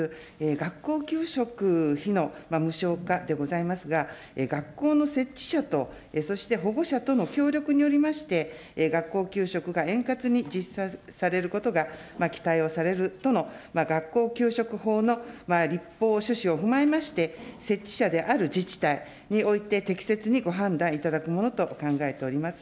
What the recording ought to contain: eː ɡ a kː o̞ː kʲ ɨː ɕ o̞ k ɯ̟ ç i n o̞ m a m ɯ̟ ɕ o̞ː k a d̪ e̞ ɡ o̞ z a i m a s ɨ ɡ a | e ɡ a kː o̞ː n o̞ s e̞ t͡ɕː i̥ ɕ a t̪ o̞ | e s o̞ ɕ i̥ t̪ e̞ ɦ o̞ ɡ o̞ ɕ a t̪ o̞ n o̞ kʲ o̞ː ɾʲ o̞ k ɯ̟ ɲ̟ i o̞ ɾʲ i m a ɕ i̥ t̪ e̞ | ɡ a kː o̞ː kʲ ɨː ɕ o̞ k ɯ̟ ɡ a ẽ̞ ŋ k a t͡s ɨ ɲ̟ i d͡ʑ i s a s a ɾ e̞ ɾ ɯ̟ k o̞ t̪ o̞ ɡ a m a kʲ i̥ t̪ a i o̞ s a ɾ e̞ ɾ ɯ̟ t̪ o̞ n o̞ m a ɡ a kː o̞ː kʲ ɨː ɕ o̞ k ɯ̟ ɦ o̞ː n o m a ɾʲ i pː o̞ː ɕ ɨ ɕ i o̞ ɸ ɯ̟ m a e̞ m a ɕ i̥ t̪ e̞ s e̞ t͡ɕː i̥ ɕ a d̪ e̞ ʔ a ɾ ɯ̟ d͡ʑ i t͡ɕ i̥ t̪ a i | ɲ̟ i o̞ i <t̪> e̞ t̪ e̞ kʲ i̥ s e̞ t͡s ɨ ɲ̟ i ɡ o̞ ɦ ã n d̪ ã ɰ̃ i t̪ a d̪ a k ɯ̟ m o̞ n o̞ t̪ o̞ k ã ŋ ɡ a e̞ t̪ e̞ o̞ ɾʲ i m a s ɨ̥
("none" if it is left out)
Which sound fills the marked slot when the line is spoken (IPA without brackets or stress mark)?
t̪